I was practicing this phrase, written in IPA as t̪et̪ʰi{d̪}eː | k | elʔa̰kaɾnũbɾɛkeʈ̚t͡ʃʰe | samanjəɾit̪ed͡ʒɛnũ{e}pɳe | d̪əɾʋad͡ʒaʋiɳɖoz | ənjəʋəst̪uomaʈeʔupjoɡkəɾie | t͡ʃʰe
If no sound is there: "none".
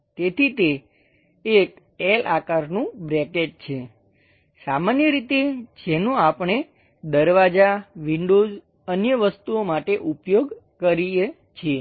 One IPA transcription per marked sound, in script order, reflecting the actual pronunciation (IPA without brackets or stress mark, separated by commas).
t̪, a